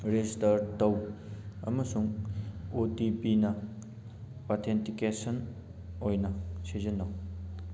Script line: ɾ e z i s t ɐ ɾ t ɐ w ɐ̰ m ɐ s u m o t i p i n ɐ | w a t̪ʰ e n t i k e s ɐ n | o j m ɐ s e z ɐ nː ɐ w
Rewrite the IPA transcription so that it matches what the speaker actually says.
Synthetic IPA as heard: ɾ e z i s t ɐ ɾ t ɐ w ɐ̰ m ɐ s u ŋ o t i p i n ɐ | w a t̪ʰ e n t i k e s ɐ n | o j n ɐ s e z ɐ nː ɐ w